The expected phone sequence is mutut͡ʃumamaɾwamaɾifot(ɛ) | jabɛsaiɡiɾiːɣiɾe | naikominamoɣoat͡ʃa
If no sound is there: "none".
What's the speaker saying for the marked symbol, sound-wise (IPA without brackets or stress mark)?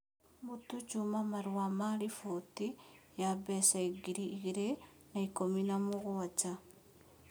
i